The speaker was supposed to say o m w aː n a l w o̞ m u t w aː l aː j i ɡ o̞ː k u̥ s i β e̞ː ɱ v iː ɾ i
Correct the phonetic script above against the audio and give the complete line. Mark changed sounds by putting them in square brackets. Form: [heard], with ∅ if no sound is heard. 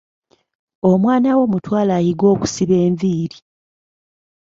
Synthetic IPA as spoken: o m w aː n a [∅] w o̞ m u t w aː l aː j i ɡ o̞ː k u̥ s i β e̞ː ɱ v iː ɾ i